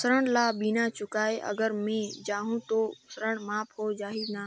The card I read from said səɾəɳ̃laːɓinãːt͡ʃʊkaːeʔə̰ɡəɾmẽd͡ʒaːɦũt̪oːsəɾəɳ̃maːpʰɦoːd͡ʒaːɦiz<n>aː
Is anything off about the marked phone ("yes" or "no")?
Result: no